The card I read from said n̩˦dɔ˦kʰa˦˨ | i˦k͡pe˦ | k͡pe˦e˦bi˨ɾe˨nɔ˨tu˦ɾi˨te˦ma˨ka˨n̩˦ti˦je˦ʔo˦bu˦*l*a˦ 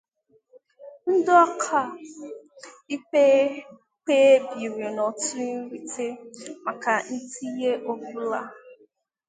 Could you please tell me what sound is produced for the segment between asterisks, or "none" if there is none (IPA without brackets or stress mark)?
l